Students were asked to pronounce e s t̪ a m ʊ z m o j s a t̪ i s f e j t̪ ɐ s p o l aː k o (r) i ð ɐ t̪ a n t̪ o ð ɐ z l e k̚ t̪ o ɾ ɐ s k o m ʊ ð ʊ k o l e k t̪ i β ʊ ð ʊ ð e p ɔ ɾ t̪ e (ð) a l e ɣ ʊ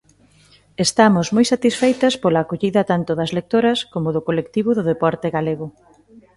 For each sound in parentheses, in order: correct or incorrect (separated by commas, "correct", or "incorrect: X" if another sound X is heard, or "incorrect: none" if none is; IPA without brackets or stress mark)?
incorrect: ʎ, incorrect: ɣ